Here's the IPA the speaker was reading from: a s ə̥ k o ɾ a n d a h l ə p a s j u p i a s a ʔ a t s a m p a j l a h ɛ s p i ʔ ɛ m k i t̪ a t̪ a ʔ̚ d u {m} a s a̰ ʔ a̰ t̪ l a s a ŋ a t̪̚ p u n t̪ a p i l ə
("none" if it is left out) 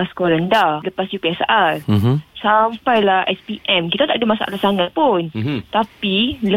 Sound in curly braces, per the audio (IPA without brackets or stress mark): m